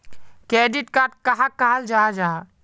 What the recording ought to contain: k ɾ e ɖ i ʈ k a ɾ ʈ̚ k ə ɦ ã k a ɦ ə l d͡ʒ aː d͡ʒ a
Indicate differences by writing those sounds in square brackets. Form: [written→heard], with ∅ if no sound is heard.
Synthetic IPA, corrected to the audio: k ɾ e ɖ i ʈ k a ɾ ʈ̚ k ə ɦ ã k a ɦ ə l d͡ʒ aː d͡ʒ a